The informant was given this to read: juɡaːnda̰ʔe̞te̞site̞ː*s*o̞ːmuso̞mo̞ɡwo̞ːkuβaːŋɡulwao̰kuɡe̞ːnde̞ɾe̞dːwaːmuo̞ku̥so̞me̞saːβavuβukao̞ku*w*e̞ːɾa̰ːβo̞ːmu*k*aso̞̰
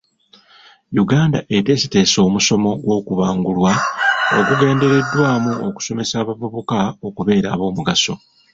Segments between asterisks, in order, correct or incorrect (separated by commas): correct, incorrect, incorrect